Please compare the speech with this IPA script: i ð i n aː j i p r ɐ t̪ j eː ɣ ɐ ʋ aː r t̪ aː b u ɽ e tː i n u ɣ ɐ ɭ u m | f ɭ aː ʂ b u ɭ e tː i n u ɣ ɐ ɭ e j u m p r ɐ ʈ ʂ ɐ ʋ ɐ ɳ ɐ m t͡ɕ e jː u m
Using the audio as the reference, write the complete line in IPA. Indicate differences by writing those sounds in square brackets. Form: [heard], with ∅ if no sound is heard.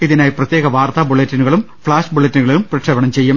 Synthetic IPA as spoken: i ð i n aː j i p r ɐ t̪ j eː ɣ ɐ ʋ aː r t̪ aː b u [ɭ] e tː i n u ɣ ɐ ɭ u m | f ɭ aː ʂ b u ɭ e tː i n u ɣ ɐ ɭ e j u m p r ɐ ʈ ʂ ɐ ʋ ɐ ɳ ɐ m t͡ɕ e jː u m